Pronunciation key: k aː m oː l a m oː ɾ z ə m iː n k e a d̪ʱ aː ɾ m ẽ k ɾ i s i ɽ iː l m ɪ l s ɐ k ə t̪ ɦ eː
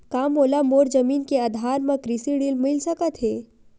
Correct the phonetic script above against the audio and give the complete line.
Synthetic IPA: k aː m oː l a m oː ɾ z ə m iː n k e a d̪ʱ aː ɾ m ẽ k ɾ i s i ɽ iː l m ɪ l s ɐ k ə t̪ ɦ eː